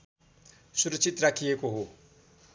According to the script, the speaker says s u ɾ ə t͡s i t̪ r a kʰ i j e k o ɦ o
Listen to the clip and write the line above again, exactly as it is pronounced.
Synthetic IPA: s u ɾ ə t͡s i t̪ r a kʰ i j e k o ɦ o